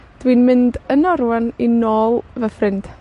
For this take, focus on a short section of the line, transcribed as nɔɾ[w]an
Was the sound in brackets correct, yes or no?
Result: yes